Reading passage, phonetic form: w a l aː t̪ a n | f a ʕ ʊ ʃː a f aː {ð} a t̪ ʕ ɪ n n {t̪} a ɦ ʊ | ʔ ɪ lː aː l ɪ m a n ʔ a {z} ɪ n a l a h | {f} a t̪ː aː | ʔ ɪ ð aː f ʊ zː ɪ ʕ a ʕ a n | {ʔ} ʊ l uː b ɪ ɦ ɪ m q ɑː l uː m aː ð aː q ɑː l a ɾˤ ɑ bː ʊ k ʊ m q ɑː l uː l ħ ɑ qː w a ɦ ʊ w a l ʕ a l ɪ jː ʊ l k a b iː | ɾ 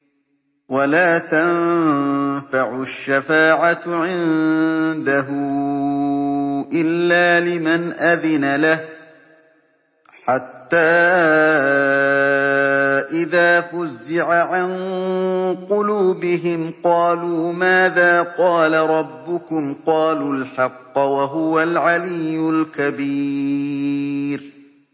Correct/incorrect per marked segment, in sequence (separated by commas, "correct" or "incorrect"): incorrect, incorrect, incorrect, incorrect, incorrect